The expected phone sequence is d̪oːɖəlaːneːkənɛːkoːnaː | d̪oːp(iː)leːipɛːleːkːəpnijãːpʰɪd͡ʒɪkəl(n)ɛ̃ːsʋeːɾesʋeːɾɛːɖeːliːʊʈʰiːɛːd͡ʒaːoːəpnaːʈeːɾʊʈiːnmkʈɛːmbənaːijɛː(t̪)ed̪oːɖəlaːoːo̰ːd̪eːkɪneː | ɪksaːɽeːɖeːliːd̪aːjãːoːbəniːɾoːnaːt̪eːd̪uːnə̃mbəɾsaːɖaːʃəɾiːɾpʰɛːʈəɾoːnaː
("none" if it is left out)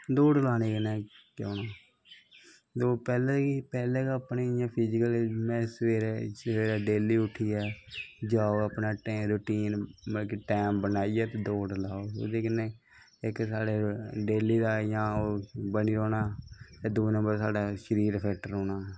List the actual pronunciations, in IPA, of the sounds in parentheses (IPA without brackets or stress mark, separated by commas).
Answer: ɛː, m, t̪